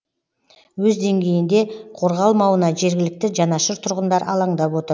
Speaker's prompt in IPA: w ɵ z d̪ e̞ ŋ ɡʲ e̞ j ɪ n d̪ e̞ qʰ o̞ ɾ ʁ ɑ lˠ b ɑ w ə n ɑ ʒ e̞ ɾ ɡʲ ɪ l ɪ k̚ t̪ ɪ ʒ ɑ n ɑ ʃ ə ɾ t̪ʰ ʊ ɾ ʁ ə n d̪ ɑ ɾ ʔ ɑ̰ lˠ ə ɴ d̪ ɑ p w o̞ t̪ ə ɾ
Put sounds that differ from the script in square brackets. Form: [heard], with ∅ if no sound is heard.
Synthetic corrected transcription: w ɵ z d̪ e̞ ŋ ɡʲ e̞ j ɪ n d̪ e̞ qʰ o̞ ɾ ʁ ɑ lˠ [m] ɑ w ə n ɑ ʒ e̞ ɾ ɡʲ ɪ l ɪ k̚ t̪ ɪ ʒ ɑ n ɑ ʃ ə ɾ t̪ʰ ʊ ɾ ʁ ə n d̪ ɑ ɾ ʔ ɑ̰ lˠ [ɑ] ɴ d̪ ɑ p w o̞ t̪ ə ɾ